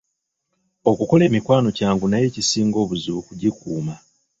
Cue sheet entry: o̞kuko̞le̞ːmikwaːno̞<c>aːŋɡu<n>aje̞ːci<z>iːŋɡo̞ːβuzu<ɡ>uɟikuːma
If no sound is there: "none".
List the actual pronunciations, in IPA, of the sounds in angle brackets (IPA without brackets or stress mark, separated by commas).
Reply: c, n, s, k